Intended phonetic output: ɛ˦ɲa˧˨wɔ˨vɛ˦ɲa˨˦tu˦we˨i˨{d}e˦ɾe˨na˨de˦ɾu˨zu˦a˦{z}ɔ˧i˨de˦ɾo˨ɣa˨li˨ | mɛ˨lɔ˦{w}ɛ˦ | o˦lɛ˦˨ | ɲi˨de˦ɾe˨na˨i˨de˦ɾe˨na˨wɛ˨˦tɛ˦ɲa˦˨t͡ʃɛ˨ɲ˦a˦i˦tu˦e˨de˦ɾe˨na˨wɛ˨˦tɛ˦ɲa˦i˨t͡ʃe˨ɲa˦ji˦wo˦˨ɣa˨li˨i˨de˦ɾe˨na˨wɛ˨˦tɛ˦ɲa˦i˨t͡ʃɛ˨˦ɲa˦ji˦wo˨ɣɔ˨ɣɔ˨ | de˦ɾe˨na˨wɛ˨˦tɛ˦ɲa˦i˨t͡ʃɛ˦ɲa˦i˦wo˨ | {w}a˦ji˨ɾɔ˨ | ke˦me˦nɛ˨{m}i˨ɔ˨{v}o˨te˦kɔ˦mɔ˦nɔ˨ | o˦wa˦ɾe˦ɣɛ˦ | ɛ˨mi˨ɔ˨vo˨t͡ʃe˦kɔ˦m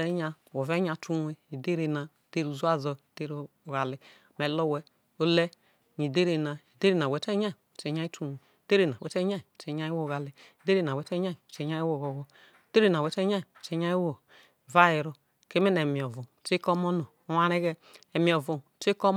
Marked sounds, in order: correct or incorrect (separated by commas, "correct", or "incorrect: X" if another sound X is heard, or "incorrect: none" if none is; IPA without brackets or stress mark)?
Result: correct, correct, correct, incorrect: v, correct, correct